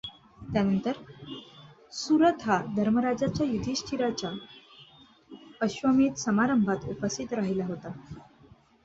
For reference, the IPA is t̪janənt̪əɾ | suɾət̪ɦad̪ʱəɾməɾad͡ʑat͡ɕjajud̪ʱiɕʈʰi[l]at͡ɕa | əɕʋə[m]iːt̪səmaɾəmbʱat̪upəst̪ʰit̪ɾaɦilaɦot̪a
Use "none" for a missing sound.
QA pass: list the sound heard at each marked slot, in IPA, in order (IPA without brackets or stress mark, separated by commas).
ɾ, m